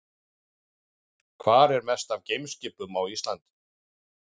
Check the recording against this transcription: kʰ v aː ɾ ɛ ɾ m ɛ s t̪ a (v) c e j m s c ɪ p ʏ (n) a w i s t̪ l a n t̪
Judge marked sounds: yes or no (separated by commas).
yes, no